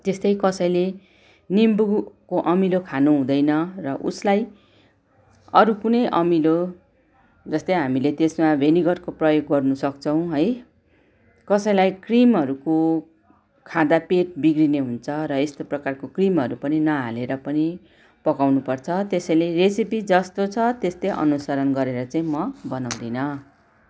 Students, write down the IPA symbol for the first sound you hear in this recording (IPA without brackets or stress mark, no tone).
t̪